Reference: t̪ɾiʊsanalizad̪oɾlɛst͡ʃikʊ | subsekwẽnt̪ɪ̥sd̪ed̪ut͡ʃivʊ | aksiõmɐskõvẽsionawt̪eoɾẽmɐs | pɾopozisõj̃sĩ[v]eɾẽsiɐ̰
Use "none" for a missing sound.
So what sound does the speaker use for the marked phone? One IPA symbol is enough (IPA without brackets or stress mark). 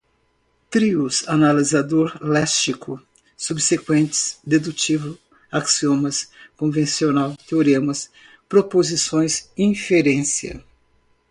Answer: f